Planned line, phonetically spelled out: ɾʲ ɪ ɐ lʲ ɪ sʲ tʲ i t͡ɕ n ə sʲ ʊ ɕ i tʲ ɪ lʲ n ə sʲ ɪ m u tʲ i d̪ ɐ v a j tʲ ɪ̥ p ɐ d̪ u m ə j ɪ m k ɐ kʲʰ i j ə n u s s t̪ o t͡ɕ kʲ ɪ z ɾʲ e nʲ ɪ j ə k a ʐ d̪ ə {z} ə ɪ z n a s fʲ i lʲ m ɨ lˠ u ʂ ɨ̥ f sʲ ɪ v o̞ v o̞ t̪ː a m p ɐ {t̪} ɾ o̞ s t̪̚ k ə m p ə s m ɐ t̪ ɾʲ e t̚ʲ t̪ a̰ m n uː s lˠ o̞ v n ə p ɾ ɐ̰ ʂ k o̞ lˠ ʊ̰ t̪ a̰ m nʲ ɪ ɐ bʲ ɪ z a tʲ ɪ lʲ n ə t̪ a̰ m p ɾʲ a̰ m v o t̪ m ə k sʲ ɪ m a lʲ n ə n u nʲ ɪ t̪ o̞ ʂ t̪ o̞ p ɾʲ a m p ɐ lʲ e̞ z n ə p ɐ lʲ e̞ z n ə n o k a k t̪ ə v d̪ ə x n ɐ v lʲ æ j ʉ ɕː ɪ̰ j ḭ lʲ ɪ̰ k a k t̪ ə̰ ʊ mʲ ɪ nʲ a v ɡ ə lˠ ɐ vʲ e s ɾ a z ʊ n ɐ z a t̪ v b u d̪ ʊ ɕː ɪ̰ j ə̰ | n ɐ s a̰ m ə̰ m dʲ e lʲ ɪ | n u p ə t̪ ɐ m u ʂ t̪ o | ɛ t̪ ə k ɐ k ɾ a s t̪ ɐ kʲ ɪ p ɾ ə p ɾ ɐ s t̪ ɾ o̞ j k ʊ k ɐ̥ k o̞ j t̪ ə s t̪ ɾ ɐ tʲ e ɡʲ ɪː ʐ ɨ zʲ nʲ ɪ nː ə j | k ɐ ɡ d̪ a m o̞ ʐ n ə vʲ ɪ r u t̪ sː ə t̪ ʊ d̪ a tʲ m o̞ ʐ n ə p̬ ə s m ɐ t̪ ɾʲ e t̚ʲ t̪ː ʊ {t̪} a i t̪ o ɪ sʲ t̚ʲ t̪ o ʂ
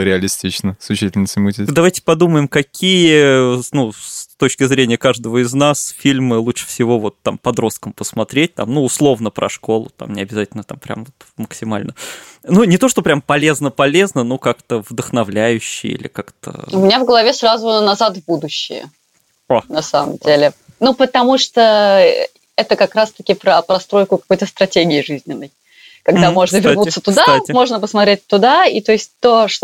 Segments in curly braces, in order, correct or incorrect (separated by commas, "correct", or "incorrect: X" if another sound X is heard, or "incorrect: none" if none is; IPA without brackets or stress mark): incorrect: v, incorrect: d̪, incorrect: d̪